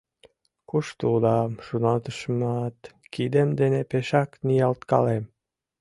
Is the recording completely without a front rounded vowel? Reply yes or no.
yes